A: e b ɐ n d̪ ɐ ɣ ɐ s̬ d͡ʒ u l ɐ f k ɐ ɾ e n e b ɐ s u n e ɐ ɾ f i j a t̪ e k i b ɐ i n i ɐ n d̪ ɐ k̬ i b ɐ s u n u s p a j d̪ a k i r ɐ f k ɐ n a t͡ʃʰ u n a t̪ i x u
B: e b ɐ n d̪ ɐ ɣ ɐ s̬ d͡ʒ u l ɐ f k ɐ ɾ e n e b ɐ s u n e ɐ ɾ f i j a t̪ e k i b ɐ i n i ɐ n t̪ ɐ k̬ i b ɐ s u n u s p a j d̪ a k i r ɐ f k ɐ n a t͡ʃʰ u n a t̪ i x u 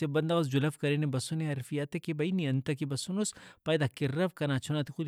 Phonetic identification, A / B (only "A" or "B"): B